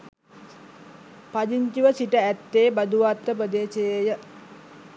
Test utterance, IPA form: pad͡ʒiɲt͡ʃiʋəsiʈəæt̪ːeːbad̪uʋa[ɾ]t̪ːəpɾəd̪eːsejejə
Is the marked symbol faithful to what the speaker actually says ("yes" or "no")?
no